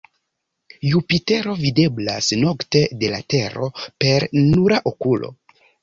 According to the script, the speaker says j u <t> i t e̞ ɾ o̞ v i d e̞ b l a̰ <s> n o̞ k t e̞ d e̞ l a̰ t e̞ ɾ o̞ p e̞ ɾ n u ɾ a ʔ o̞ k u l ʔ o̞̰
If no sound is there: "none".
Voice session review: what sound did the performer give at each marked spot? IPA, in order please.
p, s

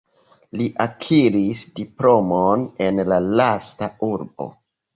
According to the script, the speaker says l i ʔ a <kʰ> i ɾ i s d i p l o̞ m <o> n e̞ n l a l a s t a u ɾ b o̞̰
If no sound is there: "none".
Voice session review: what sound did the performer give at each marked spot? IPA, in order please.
kʰ, o

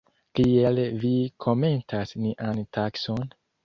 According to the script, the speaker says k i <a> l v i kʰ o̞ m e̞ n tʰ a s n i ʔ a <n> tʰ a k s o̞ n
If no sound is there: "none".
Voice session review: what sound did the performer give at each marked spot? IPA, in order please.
e, n

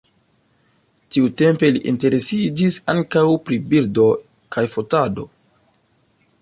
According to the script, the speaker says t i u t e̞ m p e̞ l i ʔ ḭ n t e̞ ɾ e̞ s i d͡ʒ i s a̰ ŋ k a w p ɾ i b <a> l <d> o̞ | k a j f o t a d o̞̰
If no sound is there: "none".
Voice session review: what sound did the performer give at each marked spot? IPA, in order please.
i, d

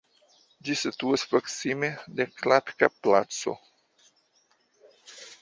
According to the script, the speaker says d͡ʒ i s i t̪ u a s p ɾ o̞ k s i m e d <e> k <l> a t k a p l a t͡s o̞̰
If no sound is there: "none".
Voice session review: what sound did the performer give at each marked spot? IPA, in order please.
e, l

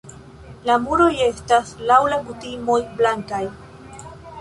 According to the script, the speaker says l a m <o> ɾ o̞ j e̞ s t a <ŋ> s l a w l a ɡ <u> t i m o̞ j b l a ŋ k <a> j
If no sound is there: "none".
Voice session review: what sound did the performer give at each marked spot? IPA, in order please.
u, none, u, a

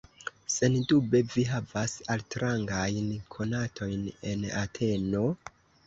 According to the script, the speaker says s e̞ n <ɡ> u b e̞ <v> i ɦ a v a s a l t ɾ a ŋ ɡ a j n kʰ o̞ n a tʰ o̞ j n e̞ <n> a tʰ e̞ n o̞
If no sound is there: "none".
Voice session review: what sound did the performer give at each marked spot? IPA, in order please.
d, v, n

